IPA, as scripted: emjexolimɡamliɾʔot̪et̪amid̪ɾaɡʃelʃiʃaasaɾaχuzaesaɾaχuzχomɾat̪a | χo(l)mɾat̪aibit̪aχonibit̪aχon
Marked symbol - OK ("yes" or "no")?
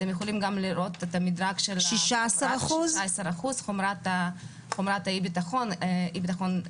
no